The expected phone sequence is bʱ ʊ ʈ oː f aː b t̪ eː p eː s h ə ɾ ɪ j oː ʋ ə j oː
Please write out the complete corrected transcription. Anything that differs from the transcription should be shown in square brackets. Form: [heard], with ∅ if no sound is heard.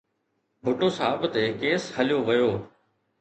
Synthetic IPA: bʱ ʊ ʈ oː [s] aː b t̪ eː [k] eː s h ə [l] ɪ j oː ʋ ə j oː